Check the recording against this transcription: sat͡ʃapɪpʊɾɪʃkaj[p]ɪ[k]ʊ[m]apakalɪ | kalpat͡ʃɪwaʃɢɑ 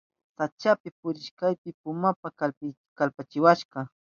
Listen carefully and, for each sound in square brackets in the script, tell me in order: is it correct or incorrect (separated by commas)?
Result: correct, incorrect, correct